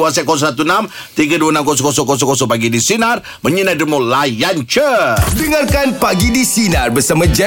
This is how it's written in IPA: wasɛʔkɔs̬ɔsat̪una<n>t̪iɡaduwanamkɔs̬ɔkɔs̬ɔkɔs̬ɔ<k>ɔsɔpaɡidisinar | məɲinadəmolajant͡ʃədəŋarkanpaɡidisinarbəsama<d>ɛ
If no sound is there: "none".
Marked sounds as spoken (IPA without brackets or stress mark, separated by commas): m, k, d͡ʒ